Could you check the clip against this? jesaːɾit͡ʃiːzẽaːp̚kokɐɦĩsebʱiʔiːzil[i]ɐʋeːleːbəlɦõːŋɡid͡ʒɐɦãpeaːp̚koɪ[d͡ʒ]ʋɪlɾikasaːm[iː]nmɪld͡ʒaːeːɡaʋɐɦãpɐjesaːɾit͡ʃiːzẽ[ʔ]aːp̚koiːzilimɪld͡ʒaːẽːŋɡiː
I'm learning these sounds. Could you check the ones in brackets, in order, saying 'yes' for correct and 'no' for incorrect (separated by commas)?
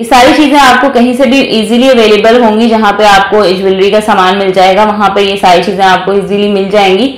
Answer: yes, yes, no, no